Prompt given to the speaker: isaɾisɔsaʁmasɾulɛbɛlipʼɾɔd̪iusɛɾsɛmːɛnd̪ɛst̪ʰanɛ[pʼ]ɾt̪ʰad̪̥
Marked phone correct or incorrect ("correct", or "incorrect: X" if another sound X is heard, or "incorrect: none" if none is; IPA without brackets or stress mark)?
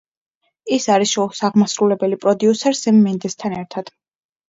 incorrect: none